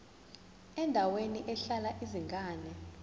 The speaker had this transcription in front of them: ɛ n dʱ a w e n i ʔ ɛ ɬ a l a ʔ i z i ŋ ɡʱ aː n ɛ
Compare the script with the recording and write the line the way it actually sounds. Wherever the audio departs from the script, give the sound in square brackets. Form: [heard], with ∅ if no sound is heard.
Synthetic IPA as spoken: ɛ n dʱ a w e n i ʔ ɛ ɬ a l a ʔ i z i ŋ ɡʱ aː n ɛ